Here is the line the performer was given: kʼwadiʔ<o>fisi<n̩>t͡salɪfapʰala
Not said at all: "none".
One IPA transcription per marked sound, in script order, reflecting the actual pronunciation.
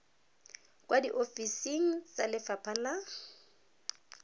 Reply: o, ŋ̩

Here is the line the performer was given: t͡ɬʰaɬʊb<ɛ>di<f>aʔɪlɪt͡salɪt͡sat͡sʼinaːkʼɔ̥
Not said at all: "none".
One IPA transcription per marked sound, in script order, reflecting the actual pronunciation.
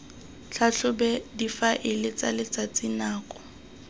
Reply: ɛ, f

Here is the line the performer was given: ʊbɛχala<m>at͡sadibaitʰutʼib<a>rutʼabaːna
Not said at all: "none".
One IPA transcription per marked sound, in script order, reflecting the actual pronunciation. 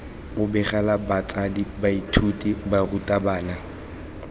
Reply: b, a

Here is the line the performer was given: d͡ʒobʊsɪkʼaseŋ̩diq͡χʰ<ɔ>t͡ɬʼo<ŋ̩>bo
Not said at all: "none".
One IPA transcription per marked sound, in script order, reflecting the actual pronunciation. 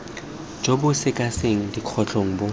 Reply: ɔ, ŋ̩

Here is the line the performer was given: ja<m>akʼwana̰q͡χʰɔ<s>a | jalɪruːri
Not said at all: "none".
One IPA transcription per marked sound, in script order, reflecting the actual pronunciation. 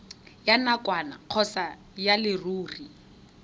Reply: n, s

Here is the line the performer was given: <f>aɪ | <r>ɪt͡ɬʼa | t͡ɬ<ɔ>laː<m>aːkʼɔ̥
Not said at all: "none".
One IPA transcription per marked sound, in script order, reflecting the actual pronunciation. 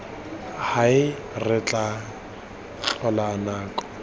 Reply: h, r, ɔ, n

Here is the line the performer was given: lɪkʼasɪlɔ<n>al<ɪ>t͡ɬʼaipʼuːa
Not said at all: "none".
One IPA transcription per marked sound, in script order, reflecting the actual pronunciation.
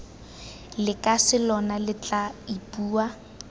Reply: n, ɪ

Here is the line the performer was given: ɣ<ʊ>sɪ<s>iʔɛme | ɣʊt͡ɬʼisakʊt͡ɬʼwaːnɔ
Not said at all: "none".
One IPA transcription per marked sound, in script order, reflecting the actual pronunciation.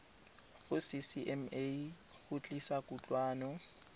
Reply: ʊ, s

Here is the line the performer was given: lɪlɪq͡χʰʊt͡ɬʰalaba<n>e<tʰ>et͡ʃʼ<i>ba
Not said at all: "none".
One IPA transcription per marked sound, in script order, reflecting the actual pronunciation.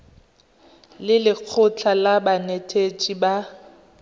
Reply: n, tʰ, i

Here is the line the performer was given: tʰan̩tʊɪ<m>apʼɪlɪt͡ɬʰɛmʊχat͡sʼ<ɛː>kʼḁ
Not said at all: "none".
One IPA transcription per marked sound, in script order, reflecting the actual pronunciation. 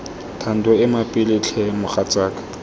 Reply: m, aː

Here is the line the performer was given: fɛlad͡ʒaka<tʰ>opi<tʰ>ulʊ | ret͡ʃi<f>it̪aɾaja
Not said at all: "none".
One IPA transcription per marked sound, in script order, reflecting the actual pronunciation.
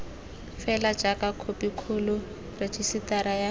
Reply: kʰ, kʰ, s

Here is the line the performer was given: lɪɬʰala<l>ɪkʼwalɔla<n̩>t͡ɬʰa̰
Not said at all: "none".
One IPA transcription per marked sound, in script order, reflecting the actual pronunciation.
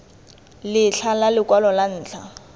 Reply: l, n̩ː

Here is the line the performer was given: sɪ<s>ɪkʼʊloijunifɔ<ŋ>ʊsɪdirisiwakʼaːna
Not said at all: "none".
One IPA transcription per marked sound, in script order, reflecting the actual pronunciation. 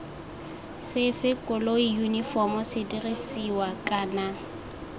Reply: f, m

